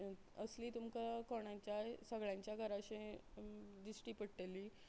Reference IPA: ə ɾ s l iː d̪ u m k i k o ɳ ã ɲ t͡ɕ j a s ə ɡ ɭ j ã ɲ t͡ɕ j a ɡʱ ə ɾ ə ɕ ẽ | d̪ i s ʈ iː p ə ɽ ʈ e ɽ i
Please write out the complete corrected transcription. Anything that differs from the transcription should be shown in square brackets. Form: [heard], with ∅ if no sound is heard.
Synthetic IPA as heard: ə [∅] s l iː [t̪] u m k [a] k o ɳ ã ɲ t͡ɕ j a s ə ɡ ɭ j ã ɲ t͡ɕ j a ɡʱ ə ɾ [a] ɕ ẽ | d̪ i s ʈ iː p ə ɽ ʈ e [l] i